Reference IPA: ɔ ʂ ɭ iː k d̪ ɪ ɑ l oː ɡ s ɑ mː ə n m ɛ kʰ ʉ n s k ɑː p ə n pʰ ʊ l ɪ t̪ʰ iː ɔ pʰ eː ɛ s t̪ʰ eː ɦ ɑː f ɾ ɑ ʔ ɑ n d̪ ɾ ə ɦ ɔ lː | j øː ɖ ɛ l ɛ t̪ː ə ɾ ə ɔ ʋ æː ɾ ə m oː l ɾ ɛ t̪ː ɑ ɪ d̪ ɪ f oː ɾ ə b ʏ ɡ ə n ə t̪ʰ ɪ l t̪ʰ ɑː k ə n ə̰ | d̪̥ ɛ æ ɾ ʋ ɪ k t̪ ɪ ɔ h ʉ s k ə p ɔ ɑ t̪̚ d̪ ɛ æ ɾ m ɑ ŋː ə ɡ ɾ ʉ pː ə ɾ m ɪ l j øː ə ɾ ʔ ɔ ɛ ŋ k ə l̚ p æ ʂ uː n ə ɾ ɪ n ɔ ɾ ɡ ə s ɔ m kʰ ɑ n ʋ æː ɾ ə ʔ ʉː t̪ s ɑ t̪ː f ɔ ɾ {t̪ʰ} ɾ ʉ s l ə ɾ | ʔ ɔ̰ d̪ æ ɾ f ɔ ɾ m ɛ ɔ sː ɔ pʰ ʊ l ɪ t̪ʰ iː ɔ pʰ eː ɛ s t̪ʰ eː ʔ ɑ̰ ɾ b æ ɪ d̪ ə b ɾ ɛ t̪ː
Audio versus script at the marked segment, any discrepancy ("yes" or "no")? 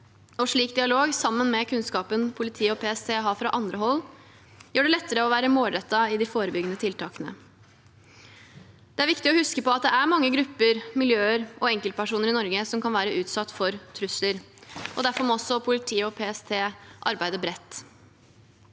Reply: no